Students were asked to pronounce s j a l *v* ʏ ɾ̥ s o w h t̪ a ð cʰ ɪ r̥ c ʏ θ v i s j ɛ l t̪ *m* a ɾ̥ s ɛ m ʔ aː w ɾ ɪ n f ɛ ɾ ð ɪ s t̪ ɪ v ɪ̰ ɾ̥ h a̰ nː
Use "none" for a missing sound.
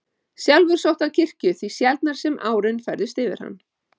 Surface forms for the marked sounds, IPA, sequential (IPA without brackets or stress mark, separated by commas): v, n